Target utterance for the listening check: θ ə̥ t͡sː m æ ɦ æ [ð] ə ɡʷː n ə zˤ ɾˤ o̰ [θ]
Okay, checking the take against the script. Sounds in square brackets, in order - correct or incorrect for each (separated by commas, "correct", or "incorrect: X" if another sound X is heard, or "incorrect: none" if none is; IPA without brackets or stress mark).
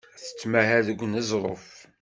correct, incorrect: f